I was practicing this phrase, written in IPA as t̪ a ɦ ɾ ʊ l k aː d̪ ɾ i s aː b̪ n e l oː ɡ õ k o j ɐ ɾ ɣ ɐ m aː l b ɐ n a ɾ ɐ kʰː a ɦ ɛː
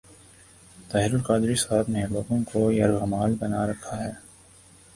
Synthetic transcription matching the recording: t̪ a ɦ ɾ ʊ l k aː d̪ ɾ i s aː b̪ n e l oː ɡ õ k o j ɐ ɾ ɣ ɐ m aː l b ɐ n a ɾ ɐ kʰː a ɦ ɛː